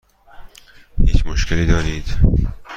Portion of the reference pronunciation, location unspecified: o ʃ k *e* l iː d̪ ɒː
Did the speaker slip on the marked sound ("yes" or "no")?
no